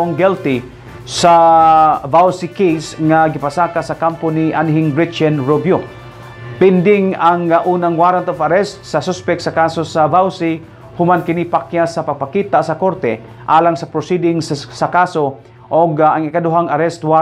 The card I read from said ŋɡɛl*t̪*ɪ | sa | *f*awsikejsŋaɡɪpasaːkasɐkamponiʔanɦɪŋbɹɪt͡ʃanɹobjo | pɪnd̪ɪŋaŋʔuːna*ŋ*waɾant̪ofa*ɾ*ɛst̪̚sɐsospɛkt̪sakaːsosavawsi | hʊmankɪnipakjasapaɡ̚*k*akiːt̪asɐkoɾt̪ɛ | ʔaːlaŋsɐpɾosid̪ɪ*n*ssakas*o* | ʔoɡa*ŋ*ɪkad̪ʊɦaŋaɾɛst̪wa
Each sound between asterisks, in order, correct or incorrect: correct, incorrect, correct, correct, incorrect, incorrect, correct, correct

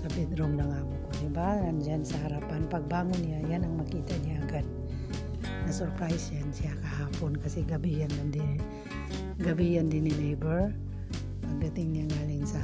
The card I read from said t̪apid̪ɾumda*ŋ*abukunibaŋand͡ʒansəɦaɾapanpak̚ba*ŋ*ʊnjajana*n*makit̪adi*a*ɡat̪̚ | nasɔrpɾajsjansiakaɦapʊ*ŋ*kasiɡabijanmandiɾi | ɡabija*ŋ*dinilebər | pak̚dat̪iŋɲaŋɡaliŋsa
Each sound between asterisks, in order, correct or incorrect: correct, correct, incorrect, correct, incorrect, incorrect

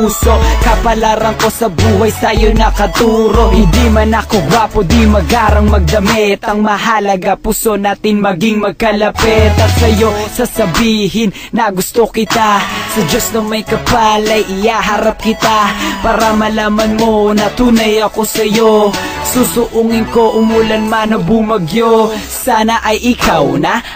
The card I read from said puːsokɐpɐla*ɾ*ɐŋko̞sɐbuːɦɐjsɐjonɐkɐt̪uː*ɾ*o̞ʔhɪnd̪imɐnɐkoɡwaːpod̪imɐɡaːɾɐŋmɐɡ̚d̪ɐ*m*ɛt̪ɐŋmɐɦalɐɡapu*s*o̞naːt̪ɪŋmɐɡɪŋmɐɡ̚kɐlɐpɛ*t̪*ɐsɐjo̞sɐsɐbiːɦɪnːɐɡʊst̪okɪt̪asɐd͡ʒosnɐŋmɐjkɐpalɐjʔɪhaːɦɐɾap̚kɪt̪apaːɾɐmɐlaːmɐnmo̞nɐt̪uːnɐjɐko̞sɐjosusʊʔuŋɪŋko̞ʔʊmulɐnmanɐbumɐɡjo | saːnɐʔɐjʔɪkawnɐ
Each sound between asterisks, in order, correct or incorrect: correct, correct, correct, correct, correct

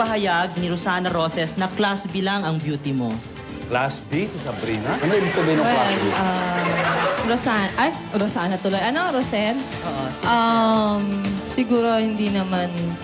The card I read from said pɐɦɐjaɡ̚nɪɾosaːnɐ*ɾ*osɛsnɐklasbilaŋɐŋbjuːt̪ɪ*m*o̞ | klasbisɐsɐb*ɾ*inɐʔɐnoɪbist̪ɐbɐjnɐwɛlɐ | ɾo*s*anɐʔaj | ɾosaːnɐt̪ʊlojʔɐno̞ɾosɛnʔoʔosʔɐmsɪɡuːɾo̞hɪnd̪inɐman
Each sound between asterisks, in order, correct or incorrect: correct, correct, correct, correct

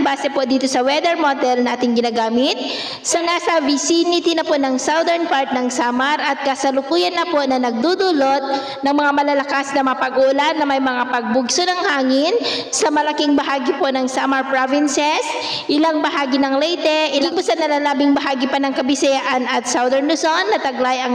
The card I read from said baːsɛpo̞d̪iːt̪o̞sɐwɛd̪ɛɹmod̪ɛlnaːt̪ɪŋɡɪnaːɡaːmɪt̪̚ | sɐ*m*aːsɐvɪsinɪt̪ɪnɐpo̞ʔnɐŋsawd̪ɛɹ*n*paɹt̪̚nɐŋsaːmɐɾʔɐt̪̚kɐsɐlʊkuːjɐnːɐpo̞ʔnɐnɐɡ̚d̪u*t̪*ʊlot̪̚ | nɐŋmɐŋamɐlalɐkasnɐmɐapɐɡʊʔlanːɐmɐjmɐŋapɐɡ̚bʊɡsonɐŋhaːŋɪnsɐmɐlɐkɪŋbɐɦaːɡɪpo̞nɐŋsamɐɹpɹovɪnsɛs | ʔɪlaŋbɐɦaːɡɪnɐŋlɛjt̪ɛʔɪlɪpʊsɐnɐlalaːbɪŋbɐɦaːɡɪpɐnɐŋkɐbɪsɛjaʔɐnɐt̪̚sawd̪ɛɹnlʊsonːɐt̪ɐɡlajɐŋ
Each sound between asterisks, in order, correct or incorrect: incorrect, correct, incorrect

